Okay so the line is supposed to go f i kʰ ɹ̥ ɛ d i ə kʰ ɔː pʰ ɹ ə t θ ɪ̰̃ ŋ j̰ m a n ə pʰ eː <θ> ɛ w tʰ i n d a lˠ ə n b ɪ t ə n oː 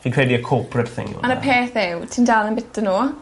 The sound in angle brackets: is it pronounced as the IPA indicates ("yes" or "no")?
yes